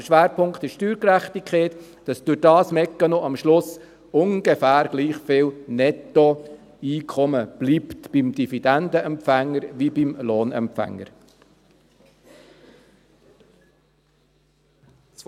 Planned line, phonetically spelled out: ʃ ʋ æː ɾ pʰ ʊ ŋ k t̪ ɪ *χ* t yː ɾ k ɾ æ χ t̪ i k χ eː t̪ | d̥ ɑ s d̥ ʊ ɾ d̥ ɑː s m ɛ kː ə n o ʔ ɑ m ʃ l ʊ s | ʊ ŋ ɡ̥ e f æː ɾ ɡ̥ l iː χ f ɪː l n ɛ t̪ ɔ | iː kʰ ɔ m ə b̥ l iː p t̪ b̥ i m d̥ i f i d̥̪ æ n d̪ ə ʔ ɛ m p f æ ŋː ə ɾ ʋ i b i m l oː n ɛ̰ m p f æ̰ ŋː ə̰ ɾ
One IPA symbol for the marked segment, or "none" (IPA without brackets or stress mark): ʃ